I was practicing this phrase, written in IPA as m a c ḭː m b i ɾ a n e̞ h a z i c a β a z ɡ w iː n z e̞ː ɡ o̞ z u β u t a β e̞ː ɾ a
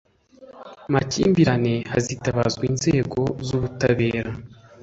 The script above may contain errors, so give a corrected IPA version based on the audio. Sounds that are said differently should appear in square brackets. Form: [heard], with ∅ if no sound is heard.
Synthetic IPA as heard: m a c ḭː m b i ɾ a n e̞ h a z i [t] a β a z ɡ w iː n z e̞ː ɡ o̞ z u β u t a β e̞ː ɾ a